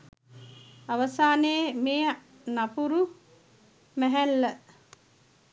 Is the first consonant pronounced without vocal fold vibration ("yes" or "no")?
no